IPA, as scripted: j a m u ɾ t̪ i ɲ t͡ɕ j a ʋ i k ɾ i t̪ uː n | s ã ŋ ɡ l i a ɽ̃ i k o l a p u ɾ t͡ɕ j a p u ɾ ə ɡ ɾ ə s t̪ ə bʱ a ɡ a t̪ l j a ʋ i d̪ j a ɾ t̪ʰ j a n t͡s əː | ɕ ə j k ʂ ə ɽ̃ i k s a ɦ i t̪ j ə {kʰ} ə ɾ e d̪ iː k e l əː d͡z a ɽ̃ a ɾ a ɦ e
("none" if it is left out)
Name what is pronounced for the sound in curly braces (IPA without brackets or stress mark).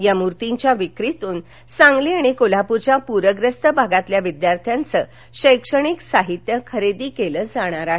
kʰ